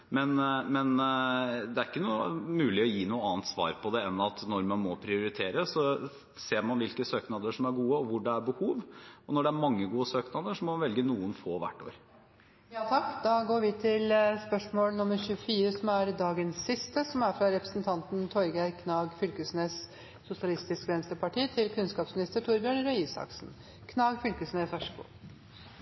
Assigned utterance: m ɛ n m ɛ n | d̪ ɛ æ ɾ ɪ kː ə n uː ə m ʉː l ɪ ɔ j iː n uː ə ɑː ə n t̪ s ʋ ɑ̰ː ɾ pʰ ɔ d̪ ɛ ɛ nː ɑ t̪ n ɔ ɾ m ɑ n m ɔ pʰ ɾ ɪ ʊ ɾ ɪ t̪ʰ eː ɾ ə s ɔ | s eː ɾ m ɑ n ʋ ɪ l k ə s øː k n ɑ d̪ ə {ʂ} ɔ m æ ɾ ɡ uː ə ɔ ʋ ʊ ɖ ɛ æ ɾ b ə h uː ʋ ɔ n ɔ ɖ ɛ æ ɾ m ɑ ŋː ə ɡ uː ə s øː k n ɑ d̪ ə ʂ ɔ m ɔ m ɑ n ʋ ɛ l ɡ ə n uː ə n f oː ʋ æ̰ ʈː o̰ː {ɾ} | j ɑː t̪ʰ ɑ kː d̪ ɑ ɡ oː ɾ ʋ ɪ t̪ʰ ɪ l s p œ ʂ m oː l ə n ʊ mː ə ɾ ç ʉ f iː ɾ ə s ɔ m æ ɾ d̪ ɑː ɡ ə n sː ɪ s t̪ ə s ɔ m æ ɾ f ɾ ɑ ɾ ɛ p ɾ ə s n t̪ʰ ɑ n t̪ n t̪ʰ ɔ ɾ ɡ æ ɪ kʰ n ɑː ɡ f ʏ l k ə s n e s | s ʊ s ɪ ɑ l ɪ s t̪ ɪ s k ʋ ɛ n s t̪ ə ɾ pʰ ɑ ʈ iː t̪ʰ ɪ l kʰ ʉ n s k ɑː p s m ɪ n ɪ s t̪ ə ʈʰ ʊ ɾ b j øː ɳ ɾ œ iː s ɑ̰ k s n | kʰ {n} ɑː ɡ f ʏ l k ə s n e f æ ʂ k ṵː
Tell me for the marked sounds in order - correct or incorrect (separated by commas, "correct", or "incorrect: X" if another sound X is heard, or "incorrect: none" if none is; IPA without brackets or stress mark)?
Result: correct, correct, correct